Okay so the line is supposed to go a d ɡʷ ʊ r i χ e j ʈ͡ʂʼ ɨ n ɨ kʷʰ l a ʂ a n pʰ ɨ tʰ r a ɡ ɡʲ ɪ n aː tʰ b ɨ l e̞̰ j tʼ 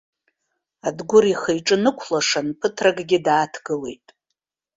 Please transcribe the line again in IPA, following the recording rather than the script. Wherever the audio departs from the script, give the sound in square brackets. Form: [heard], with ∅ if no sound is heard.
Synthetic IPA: a d ɡʷ ʊ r i χ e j ʈ͡ʂʼ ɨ n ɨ kʷʰ l a ʂ a n pʰ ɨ tʰ r a ɡ ɡʲ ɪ [d] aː tʰ [ɡ] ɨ l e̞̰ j tʼ